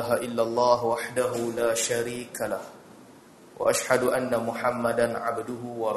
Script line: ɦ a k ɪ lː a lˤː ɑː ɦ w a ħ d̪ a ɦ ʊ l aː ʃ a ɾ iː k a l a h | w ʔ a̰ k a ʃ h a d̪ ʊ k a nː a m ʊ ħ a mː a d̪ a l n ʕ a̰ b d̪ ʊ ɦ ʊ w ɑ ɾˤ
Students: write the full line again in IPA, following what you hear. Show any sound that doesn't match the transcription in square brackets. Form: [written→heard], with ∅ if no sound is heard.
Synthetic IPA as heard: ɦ a [k→ʔ] ɪ lː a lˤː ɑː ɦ w a ħ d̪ a ɦ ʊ l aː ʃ a ɾ iː k a l a h | w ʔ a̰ [k→ʔ] a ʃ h a d̪ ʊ [k→ʔ] a nː a m ʊ ħ a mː a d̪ a [l→∅] n ʕ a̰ b d̪ ʊ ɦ ʊ w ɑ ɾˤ